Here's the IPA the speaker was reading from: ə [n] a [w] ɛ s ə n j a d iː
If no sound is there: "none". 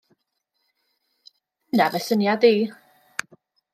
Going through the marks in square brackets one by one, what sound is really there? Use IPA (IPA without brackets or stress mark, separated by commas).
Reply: n, v